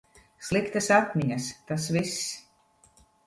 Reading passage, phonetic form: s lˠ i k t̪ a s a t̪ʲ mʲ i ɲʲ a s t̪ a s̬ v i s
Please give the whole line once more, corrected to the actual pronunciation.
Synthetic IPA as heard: s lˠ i k t̪ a s a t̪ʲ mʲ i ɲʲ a s t̪ a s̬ v i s